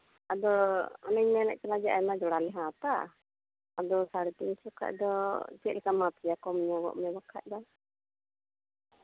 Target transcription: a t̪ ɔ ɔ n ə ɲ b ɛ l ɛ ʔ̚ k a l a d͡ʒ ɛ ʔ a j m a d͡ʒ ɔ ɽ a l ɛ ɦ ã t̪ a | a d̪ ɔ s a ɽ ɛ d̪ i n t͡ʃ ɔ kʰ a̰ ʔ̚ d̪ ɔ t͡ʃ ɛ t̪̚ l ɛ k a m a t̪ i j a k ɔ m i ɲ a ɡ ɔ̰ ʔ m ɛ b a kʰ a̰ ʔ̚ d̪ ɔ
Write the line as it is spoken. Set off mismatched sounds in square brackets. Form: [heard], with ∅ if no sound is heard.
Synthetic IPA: a [d̪] ɔ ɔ n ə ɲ [m] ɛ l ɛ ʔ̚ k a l a d͡ʒ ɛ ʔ a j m a d͡ʒ ɔ ɽ a l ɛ ɦ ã t̪ a | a d̪ ɔ s a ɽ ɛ [t̪] i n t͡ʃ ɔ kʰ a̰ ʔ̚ d̪ ɔ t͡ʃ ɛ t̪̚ l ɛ k a m a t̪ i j a k ɔ m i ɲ a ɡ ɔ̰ ʔ m ɛ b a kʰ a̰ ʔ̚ d̪ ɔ